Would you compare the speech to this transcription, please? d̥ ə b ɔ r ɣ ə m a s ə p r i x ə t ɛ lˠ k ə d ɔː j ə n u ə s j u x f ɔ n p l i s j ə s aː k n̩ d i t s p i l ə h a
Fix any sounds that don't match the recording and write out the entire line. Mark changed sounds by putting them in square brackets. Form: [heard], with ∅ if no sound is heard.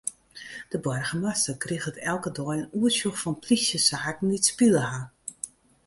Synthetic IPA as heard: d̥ ə b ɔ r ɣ ə m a s ə [k] r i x ə t ɛ lˠ k ə d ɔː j ə n u ə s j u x f ɔ n p l i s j ə s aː k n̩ d i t s p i l ə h a

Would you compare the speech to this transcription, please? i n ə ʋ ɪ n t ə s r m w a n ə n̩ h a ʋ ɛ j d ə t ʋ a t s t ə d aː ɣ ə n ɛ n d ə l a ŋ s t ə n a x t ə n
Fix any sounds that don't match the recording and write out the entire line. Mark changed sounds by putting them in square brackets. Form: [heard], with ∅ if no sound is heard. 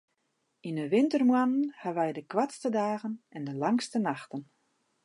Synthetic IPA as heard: i n ə ʋ ɪ n t ə [∅] r m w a n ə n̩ h a ʋ ɛ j d ə [k] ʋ a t s t ə d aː ɣ ə n ɛ n d ə l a ŋ s t ə n a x t ə n

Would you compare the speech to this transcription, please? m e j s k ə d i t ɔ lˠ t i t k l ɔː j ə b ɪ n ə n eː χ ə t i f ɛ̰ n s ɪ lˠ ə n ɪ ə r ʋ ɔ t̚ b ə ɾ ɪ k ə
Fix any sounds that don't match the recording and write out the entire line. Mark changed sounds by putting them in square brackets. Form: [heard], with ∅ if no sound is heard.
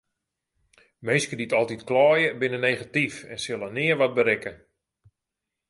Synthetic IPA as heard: m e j s k ə d i t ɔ lˠ t i t k l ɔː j ə b ɪ n ə n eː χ [a] t i f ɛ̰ n s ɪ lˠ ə n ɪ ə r ʋ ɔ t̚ b ə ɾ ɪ k ə

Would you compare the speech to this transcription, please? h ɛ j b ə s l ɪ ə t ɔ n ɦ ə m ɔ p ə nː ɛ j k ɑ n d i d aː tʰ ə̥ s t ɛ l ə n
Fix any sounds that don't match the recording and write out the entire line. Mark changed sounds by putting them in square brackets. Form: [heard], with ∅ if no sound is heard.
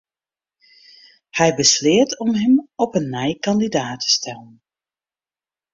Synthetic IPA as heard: h ɛ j b ə s l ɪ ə t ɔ [m] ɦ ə m ɔ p ə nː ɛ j k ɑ n d i d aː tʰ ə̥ s t ɛ l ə n

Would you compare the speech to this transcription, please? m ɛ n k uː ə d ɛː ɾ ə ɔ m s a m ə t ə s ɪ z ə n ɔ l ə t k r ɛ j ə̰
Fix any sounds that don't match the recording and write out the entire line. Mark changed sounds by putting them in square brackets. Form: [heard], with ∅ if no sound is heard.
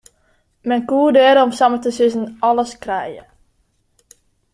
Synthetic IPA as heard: m ɛ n k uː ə d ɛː ɾ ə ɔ m s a m ə t ə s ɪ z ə n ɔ l ə [s] k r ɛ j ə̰

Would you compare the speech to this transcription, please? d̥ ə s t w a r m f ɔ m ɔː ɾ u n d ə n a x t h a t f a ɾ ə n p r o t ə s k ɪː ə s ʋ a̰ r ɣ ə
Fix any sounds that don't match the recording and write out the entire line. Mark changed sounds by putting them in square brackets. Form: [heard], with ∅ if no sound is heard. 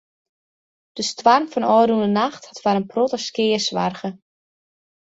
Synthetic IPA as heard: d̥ ə s t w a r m f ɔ [n] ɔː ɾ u n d ə n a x t h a t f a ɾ ə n p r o t ə s k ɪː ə s ʋ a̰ r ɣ ə

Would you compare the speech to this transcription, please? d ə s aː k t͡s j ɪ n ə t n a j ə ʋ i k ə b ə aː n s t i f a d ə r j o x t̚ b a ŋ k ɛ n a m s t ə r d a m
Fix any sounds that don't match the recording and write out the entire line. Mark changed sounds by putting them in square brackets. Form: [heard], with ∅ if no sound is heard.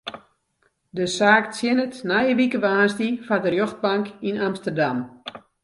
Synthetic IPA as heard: d ə s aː k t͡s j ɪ n ə t n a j ə ʋ i k ə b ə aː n s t i f a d ə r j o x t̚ b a ŋ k [i] n a m s t ə r d a m

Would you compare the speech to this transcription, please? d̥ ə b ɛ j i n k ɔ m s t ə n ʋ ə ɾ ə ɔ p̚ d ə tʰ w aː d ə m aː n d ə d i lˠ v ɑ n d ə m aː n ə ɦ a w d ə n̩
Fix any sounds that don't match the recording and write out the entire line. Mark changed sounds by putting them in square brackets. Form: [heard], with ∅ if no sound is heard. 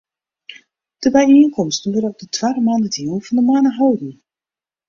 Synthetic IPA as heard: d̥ ə b ɛ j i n k ɔ m s t ə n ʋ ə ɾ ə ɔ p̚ d ə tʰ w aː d ə m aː n d ə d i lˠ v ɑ n d ə m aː n ə ɦ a w d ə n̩

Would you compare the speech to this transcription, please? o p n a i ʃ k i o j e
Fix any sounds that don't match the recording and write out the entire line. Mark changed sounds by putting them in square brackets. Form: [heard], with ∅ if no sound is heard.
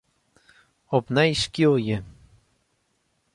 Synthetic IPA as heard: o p n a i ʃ k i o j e

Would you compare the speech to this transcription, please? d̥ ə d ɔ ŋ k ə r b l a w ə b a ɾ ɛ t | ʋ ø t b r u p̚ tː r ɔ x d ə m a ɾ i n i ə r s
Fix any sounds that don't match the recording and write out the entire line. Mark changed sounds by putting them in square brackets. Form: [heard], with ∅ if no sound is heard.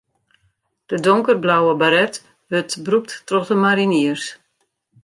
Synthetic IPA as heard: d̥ ə d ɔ ŋ k ə r b l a w ə b a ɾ ɛ t | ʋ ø t b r u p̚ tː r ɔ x d ə m a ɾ i n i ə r s

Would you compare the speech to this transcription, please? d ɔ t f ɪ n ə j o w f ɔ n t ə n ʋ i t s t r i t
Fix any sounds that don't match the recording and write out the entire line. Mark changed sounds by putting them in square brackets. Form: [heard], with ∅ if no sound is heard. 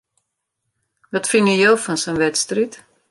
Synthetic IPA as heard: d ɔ t f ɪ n ə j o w f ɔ n [s] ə n ʋ [ɛ] t s t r i t

